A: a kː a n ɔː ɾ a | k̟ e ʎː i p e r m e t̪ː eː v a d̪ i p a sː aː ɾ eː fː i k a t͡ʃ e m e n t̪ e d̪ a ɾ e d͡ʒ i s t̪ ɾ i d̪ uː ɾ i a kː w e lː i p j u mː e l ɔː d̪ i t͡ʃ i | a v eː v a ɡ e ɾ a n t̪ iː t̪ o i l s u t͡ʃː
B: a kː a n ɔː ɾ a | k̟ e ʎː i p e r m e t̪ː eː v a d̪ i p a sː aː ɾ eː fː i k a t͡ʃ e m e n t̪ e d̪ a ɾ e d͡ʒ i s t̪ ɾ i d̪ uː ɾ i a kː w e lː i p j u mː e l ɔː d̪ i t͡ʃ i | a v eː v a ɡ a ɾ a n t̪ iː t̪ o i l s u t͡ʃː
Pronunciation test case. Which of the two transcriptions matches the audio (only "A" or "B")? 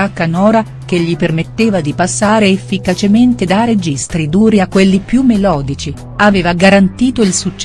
B